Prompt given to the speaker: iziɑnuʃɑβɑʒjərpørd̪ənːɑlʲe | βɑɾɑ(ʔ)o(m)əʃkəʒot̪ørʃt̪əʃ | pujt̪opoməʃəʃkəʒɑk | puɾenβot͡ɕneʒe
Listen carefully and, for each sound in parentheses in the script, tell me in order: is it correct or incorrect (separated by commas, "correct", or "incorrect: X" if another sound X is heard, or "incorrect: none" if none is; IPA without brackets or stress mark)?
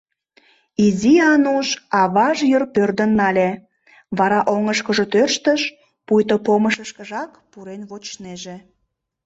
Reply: correct, incorrect: ŋ